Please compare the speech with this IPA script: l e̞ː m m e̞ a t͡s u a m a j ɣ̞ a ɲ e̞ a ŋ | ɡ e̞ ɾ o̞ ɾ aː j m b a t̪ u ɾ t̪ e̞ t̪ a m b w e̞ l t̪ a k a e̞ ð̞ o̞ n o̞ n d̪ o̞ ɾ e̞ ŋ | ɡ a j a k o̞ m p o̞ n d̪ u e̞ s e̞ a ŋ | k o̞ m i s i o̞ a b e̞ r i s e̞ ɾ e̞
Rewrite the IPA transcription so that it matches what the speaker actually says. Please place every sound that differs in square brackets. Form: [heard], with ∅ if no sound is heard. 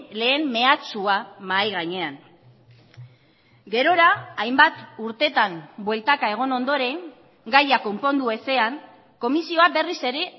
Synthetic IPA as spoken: l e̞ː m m e̞ a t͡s u a m a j ɣ̞ a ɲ e̞ a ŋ | ɡ e̞ ɾ o̞ ɾ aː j m b a t̪ u ɾ t̪ e̞ t̪ a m b w e̞ l t̪ a k a e̞ [ɣ̞] o̞ n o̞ n d̪ o̞ ɾ e̞ ŋ | ɡ a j a k o̞ m p o̞ n d̪ u e̞ s e̞ a ŋ | k o̞ m i s i o̞ a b e̞ r i s e̞ ɾ e̞